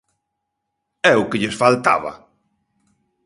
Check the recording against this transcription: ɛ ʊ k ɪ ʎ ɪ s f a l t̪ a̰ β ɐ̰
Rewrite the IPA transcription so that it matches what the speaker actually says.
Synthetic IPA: ɛ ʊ k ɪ ʎ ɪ s f a l t̪ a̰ β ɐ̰